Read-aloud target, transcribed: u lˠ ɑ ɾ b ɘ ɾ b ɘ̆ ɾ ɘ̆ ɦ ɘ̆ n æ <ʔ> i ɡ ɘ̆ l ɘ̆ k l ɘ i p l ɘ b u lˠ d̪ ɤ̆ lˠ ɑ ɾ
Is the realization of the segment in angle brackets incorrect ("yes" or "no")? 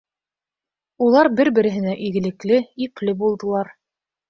no